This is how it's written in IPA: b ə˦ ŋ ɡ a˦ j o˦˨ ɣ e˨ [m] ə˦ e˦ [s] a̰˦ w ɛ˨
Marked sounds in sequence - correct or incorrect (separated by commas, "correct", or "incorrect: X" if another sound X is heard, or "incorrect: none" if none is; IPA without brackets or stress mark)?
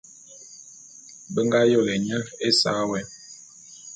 incorrect: ɲ, correct